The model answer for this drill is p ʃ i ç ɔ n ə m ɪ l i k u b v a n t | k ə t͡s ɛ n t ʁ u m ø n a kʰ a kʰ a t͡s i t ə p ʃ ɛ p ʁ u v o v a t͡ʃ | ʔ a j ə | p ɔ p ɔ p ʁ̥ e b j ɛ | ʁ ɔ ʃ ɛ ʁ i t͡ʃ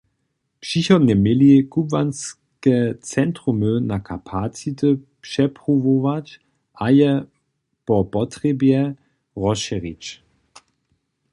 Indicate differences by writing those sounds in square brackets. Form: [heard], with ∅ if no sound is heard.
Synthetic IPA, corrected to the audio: p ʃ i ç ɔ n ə m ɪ l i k u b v a n [s] | k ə t͡s ɛ n t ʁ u m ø n a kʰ a [pʰ] a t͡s i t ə p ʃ ɛ p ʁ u v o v a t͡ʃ | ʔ a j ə | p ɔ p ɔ [t] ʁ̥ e b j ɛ | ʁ ɔ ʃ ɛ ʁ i t͡ʃ